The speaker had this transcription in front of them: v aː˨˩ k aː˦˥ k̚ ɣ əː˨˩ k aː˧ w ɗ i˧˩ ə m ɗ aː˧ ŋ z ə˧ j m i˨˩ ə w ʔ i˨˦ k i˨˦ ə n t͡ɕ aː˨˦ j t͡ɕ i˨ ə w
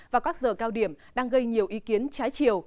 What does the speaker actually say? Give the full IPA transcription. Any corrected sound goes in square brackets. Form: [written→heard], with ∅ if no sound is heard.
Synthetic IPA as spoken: v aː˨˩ k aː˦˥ k̚ [ɣ→z] əː˨˩ k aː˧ w ɗ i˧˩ ə m ɗ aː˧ ŋ [z→ɣ] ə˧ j [m→ɲ] i˨˩ ə w ʔ i˨˦ k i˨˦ ə n t͡ɕ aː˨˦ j t͡ɕ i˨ ə w

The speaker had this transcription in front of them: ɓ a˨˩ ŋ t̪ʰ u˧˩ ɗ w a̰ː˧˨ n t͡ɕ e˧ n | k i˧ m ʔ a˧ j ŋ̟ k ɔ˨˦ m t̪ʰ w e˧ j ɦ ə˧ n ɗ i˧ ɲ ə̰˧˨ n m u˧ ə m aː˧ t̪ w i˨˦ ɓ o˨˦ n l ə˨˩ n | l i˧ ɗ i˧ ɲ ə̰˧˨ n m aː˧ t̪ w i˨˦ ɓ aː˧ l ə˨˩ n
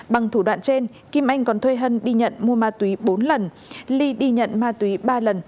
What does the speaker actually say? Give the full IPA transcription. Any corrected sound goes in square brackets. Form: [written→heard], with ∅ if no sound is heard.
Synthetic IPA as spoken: ɓ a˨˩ ŋ t̪ʰ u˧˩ ɗ w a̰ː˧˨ n t͡ɕ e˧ n | k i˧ m ʔ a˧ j ŋ̟ k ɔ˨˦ [m→n] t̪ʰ w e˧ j ɦ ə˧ n ɗ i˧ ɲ ə̰˧˨ n m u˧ ə m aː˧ t̪ w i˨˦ ɓ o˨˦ n l ə˨˩ n | l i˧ ɗ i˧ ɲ ə̰˧˨ n m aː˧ t̪ w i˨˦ ɓ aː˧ l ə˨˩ n

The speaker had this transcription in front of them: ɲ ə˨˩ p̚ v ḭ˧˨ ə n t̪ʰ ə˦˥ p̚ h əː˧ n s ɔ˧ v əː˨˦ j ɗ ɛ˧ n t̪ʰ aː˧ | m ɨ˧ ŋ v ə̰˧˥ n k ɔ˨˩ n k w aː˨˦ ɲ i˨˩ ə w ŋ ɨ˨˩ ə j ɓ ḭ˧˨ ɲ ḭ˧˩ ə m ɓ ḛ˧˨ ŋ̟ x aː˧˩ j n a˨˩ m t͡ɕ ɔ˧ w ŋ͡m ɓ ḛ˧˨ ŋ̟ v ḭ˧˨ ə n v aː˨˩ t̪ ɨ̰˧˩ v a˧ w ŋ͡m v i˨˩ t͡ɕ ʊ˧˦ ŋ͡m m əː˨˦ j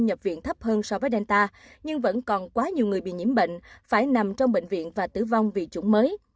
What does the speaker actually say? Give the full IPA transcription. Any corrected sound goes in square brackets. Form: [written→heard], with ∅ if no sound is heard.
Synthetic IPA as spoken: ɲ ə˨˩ p̚ v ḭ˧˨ ə n t̪ʰ ə˦˥ p̚ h əː˧ n s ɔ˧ v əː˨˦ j ɗ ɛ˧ n [t̪ʰ→t̪] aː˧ | [m→ɲ] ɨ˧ ŋ v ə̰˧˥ n k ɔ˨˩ n k w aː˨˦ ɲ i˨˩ ə w ŋ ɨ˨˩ ə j ɓ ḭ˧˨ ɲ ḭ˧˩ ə m ɓ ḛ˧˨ ŋ̟ [x→f] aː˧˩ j n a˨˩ m t͡ɕ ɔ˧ w ŋ͡m ɓ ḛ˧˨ ŋ̟ v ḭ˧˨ ə n v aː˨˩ t̪ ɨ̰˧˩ v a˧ w ŋ͡m v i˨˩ t͡ɕ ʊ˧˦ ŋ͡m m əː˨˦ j

